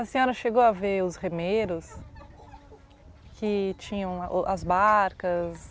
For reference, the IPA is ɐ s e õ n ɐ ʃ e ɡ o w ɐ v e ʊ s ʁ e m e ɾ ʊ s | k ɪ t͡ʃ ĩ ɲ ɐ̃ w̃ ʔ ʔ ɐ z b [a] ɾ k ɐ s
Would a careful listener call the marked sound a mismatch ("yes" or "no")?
no